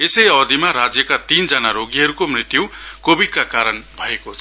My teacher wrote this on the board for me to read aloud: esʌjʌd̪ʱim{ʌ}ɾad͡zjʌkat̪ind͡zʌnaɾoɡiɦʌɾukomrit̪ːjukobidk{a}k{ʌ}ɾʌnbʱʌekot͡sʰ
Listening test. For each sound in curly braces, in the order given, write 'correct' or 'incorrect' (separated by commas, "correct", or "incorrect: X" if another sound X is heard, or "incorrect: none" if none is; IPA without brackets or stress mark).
incorrect: a, correct, incorrect: a